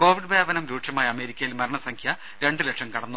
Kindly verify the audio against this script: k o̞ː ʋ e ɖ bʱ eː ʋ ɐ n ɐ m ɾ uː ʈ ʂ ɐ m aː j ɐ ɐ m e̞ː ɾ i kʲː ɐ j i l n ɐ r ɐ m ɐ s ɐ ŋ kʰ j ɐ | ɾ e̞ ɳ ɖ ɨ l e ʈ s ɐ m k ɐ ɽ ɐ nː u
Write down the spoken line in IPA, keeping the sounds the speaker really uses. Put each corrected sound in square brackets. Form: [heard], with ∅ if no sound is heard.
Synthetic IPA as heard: k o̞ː ʋ [i] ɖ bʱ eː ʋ ɐ n ɐ m ɾ uː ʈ ʂ ɐ m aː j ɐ ɐ m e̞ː ɾ i kʲː ɐ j i l [m] ɐ [ɾ] ɐ [ɳ] ɐ s ɐ ŋ kʰ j ɐ | ɾ e̞ ɳ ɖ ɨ l e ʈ [ʂ] ɐ m k ɐ ɽ ɐ nː u